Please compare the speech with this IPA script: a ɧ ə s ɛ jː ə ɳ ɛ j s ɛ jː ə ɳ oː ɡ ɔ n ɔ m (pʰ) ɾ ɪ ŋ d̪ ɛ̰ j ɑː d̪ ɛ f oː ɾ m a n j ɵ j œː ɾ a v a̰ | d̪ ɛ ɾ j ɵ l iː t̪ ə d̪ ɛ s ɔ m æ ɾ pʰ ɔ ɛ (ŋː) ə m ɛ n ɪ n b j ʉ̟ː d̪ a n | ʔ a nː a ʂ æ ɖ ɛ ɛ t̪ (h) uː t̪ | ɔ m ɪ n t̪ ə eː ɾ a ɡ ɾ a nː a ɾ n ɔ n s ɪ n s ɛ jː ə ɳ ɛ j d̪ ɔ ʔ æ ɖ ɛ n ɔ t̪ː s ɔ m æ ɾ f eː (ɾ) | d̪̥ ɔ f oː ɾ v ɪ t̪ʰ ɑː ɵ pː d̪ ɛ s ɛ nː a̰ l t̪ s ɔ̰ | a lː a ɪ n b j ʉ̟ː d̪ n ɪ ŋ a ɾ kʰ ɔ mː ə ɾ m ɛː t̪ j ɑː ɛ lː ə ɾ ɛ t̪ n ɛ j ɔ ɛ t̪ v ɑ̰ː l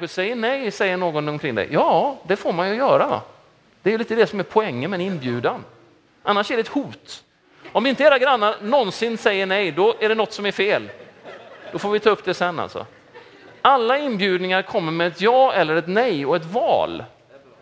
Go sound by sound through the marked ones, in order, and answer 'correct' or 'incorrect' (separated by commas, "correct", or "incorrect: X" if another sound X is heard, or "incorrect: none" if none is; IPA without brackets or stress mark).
incorrect: kʰ, correct, correct, incorrect: l